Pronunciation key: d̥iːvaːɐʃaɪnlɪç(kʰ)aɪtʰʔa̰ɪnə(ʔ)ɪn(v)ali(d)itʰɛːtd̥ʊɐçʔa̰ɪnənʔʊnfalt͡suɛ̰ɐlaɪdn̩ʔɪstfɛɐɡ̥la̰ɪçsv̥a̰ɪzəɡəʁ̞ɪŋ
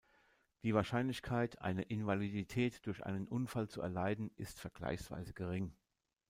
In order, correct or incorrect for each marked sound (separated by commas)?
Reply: correct, correct, correct, correct